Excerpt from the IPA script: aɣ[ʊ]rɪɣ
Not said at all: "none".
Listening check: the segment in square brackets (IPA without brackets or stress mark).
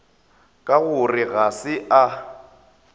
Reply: ʊ